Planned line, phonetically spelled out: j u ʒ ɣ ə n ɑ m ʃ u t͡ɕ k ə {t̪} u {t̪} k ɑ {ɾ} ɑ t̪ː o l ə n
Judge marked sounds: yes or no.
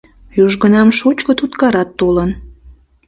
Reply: yes, yes, yes

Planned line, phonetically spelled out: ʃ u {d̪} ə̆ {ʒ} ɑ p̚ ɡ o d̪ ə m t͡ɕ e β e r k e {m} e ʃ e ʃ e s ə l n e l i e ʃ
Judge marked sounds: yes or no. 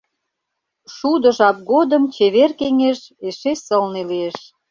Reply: yes, yes, no

